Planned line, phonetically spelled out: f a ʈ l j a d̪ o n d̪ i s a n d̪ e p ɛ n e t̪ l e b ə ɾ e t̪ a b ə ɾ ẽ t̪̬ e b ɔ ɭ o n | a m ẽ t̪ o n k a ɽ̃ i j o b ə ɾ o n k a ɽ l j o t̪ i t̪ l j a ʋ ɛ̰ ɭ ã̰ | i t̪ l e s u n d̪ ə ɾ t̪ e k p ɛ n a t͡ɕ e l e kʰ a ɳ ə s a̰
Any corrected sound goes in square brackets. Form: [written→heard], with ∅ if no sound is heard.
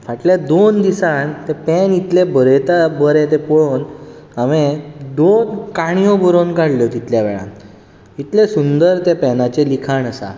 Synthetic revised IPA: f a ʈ l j a d̪ o n d̪ i s a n [d̪→t̪] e p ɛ n [e→i] t̪ l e b ə ɾ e t̪ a b ə ɾ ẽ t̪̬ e [b→p] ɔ ɭ o n | a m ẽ [t̪→d̪] o n k a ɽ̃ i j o b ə ɾ o n k a ɽ l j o t̪ i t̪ l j a ʋ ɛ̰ ɭ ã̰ | i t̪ l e s u n d̪ ə ɾ t̪ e [k→∅] p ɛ n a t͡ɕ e l [e→i] kʰ a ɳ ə s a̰